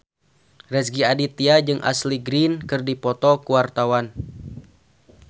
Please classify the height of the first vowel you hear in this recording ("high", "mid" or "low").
mid